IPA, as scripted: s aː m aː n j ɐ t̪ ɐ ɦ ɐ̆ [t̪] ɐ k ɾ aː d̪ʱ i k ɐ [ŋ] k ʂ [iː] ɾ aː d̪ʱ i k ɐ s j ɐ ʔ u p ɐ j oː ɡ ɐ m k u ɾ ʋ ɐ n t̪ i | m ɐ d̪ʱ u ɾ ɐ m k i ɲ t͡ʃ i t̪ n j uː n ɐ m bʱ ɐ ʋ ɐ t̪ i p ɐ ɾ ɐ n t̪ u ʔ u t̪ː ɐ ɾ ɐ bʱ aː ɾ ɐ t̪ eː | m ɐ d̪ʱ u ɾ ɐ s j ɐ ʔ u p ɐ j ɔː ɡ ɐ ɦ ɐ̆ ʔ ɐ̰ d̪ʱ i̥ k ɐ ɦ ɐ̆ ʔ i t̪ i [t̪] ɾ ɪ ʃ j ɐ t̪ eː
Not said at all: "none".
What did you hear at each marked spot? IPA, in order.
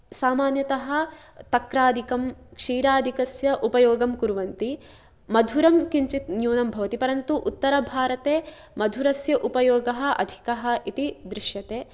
t̪, m, iː, d̪

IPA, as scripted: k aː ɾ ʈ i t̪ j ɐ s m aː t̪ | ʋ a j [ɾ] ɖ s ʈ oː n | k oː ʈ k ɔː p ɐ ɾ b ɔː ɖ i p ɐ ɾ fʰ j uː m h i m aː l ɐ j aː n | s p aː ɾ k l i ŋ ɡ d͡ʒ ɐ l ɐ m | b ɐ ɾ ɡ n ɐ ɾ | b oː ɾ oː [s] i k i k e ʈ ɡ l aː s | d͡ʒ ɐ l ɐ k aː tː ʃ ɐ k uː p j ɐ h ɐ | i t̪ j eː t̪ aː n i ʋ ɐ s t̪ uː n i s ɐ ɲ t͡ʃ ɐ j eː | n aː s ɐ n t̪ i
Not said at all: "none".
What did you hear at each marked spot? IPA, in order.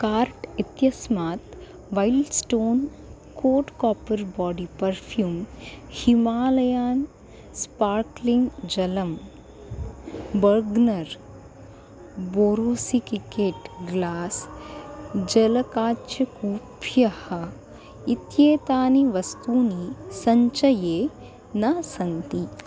l, s

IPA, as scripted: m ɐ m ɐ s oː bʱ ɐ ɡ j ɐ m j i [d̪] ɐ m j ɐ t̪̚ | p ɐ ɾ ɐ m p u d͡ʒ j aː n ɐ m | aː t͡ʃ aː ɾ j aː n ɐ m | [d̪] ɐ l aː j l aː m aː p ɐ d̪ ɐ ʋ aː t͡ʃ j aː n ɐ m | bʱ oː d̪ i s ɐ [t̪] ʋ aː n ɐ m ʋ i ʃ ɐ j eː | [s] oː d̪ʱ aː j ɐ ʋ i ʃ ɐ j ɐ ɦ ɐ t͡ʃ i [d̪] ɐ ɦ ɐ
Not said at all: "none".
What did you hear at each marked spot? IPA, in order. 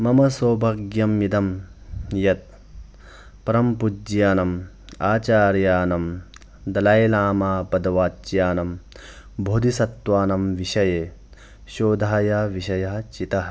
d̪, d̪, t̪, ʃ, t̪

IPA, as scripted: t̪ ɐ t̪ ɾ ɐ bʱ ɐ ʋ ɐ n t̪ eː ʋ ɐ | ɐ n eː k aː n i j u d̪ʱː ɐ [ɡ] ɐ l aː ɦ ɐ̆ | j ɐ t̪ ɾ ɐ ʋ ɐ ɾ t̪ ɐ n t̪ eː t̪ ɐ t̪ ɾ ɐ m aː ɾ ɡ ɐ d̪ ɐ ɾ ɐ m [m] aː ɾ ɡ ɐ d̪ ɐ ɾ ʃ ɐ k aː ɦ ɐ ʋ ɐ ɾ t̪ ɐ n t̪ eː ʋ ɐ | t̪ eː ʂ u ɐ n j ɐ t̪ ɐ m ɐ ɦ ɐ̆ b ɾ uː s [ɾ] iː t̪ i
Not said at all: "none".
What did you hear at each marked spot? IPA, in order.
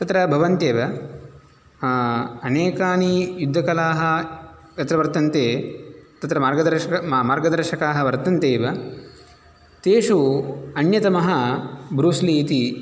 k, m, l

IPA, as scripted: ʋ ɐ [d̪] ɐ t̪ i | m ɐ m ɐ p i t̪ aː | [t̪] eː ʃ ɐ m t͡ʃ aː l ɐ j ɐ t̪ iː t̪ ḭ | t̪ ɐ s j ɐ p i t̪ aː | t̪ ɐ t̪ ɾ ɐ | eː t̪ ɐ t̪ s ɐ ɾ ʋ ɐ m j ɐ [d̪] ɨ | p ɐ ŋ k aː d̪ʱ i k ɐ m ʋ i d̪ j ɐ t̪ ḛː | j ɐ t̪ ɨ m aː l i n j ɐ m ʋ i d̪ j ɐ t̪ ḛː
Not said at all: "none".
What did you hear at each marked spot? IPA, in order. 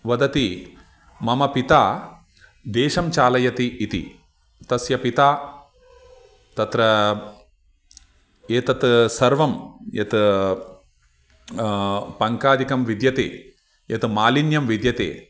d̪, d̪, t̪

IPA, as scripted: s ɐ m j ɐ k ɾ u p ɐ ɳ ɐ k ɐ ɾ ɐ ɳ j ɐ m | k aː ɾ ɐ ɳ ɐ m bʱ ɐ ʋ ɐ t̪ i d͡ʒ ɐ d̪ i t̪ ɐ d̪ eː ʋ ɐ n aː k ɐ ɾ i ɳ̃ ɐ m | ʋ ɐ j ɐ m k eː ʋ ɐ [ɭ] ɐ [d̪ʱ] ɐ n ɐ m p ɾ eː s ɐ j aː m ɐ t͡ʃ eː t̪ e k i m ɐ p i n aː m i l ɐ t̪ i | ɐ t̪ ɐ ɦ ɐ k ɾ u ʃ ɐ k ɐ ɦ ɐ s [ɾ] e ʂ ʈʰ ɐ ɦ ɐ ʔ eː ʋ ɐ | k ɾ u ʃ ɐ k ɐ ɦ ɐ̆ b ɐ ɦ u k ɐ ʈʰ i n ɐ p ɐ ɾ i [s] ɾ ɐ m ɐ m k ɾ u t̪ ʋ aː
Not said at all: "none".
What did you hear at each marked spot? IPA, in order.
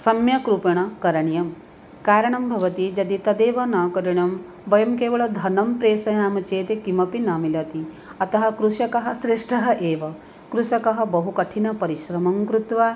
ɭ, d̪ʱ, ɾ, ʃ

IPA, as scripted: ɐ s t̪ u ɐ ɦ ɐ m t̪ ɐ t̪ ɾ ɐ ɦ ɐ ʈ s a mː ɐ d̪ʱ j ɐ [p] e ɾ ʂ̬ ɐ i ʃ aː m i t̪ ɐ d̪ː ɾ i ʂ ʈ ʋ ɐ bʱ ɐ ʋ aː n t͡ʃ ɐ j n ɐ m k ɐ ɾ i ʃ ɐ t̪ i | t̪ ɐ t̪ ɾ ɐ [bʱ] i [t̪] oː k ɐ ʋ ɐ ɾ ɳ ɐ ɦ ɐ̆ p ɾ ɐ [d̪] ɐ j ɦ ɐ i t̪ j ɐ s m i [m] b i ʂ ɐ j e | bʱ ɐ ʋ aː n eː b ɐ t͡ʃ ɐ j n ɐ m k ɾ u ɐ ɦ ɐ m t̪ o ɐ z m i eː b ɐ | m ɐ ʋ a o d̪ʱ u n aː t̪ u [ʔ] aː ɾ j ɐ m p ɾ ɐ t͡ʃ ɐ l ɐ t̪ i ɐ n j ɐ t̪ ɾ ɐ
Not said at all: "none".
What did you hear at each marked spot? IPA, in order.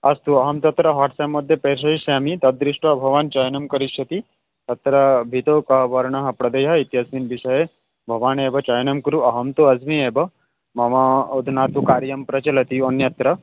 p, bʱ, t̪, d̪, n, k

